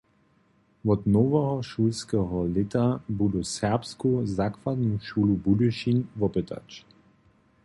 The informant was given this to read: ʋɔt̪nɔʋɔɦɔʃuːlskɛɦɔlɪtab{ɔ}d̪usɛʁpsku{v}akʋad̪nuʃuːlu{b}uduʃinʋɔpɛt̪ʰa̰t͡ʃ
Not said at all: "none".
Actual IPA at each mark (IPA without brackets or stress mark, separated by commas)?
u, z, b